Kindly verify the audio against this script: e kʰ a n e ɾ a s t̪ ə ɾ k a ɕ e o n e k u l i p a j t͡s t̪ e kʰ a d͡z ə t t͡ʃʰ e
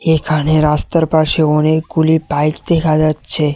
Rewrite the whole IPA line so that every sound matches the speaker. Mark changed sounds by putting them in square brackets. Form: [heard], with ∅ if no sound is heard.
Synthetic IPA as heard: e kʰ a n e ɾ a s t̪ ə ɾ [p] a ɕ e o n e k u l i p a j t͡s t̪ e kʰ a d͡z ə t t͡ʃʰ e